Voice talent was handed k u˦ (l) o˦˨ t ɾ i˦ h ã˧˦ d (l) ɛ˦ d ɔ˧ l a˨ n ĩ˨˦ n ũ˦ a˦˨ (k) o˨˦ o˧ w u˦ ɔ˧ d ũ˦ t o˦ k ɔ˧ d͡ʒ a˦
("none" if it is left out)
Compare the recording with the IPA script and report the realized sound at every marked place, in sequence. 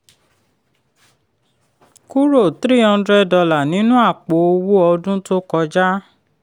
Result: ɾ, ɾ, k͡p

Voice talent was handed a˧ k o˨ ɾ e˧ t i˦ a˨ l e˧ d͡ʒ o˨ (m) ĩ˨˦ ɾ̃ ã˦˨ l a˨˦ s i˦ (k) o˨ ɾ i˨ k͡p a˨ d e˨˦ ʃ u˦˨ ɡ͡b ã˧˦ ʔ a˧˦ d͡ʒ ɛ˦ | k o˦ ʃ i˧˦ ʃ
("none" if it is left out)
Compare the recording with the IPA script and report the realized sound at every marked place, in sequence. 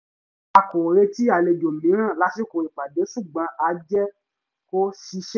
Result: m, k

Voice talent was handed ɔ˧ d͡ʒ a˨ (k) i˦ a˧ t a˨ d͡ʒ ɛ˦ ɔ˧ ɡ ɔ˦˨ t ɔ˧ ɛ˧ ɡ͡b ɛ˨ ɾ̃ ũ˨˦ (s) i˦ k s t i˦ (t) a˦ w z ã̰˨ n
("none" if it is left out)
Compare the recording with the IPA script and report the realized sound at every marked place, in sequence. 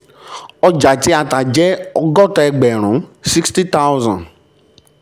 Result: t, s, t

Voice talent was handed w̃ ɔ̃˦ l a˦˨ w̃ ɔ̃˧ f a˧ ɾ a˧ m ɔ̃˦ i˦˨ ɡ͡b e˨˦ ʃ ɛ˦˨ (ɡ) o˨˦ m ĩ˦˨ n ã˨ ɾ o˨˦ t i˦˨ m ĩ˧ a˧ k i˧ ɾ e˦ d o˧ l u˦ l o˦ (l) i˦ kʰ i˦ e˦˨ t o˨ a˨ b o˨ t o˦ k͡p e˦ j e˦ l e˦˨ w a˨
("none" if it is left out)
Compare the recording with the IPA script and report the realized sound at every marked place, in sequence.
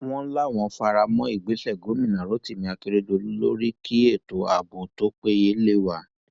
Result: ɡ, ɾ

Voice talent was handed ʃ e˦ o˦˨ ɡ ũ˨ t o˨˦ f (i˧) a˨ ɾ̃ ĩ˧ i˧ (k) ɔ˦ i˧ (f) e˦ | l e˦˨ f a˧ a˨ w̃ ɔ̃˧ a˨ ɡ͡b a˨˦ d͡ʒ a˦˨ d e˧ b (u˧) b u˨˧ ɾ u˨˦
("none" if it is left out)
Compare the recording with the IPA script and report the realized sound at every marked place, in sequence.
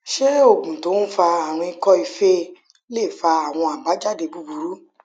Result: a˧, k, f, u˧

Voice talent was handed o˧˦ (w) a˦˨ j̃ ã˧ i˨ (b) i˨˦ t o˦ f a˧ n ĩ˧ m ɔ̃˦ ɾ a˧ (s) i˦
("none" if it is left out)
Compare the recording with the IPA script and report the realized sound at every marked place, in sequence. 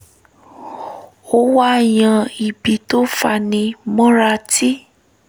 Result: w, b, t

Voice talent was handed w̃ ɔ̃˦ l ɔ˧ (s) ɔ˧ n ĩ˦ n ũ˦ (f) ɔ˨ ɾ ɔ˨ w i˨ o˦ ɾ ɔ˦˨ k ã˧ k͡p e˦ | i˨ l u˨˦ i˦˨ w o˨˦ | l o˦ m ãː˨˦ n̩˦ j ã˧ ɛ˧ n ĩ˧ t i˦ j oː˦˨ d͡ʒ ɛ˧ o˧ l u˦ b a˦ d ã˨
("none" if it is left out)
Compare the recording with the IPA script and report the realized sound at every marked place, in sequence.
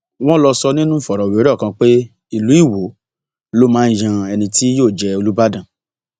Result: s, f

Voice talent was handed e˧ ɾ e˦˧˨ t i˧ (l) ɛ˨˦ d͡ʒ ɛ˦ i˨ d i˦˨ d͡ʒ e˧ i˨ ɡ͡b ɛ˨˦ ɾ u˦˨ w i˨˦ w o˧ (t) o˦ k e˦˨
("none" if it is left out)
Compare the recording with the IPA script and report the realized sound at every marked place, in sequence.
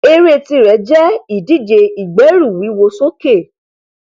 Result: ɾ, s

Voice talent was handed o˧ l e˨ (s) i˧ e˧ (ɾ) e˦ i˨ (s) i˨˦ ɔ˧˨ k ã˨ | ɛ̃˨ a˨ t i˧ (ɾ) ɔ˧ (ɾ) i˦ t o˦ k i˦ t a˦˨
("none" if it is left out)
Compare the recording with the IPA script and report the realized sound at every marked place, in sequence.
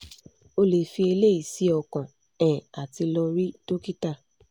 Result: f, l, s, l, ɾ

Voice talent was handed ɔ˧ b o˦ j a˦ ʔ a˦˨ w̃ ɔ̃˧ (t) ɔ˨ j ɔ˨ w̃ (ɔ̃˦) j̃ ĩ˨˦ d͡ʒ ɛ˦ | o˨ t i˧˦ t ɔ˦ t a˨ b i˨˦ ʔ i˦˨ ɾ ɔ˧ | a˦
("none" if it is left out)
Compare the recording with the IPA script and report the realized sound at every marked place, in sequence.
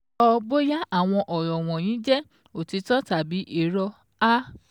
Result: ʔ, ɔ̃˨

